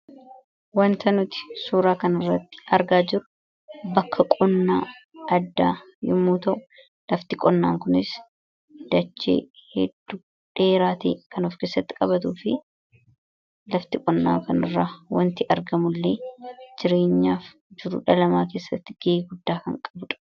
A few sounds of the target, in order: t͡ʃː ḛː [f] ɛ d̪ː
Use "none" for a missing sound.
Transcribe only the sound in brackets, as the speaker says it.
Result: h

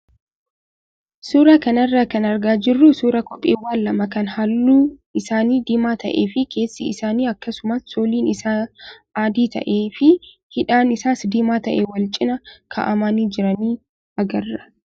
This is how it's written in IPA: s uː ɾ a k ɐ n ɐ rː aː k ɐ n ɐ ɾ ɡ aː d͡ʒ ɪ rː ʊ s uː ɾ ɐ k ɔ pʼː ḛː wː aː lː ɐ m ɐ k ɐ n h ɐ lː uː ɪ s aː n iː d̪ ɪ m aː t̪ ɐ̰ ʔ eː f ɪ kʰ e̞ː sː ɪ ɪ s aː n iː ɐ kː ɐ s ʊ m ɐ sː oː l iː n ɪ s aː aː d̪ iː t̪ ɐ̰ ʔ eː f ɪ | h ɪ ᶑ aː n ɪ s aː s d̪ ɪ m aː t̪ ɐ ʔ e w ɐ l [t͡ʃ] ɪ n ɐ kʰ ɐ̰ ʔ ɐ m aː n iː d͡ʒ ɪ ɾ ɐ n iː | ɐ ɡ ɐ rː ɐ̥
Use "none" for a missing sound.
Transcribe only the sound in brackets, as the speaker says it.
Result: t͡ʃʼ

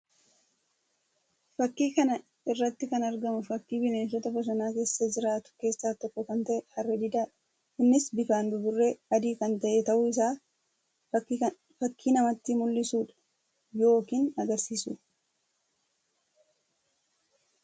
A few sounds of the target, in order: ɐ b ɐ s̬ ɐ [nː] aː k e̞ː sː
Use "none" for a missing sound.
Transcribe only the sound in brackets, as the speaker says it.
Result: n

